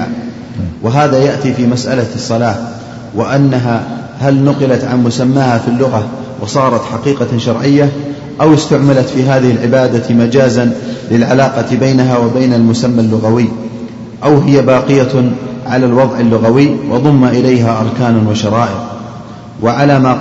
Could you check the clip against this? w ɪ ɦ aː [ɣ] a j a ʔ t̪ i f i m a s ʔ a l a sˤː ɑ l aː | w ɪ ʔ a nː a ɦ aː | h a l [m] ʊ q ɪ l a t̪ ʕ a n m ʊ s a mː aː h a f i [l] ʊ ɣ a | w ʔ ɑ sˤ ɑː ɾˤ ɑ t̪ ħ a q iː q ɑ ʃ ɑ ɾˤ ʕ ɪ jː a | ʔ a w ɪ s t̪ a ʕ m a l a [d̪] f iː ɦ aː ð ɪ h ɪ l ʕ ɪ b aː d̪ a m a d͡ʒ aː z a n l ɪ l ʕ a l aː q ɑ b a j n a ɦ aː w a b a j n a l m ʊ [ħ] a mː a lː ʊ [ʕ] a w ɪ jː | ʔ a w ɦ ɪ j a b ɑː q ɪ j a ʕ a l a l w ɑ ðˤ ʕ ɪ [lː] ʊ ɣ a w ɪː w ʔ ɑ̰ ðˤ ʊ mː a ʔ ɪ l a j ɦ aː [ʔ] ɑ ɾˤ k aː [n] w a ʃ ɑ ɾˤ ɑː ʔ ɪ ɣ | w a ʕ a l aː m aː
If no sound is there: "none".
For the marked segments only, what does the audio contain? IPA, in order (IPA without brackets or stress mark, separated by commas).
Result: ð, n, lː, t̪, s, ɣ, lː, ʔ, n